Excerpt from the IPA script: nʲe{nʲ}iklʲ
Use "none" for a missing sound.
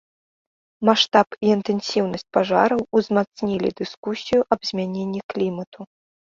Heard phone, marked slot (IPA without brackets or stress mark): nʲː